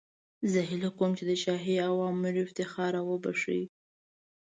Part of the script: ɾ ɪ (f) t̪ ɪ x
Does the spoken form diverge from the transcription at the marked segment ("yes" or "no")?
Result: no